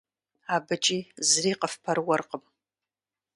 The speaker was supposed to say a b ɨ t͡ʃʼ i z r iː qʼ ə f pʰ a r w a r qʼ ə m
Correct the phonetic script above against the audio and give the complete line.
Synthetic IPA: a b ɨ t͡ʃʼ i z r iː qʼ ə f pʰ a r w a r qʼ ə m